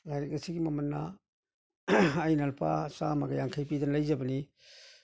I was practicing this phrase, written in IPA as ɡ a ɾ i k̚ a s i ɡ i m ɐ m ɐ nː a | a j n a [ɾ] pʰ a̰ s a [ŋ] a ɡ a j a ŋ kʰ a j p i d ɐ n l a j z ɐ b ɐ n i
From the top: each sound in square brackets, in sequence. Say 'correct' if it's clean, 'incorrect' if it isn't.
incorrect, incorrect

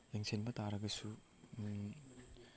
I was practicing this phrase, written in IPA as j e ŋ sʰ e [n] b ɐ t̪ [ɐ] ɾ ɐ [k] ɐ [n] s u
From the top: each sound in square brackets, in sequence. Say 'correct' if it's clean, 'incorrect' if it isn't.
correct, incorrect, incorrect, incorrect

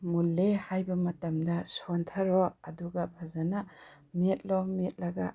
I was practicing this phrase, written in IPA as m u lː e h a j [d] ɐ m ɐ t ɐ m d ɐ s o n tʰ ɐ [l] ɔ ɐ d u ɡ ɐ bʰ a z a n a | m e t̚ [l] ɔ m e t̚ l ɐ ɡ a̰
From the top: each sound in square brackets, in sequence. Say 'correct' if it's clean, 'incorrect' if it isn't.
incorrect, incorrect, correct

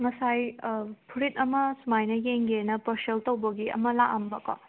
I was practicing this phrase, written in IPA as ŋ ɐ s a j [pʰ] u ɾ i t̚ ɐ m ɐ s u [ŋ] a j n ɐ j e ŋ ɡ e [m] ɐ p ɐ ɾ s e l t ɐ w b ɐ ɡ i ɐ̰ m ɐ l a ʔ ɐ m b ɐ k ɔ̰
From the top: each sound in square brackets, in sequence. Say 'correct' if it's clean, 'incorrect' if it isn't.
correct, incorrect, incorrect

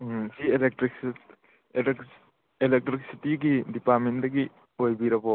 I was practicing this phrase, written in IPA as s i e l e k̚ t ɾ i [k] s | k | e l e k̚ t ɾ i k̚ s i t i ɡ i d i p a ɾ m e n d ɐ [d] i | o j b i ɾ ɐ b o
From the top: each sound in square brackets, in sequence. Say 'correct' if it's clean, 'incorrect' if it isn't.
correct, incorrect

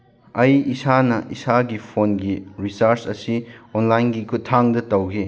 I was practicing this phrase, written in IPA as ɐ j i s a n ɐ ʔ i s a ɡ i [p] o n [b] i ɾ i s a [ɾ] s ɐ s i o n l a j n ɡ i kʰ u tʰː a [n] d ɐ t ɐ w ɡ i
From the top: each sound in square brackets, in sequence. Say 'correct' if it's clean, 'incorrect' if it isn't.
incorrect, incorrect, correct, incorrect

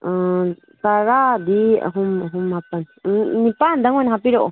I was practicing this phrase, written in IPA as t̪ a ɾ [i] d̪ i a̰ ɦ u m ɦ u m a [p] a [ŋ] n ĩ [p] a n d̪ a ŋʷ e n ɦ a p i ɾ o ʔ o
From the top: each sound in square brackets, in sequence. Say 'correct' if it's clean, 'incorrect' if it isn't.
incorrect, correct, incorrect, correct

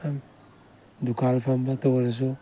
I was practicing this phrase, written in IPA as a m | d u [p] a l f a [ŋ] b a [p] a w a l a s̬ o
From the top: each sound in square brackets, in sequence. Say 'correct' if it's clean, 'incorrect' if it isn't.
incorrect, incorrect, incorrect

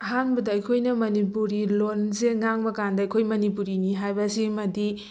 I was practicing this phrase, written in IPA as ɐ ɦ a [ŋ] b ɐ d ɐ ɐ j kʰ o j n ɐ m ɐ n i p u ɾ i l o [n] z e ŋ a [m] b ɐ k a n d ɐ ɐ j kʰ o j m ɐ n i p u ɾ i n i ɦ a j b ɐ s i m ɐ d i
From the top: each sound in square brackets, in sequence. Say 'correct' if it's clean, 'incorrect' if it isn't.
incorrect, correct, incorrect

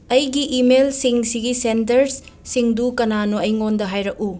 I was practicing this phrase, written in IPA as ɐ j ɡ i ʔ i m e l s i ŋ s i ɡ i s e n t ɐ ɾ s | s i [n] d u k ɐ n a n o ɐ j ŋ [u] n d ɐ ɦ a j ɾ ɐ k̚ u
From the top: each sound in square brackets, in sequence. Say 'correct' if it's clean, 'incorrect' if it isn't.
incorrect, incorrect

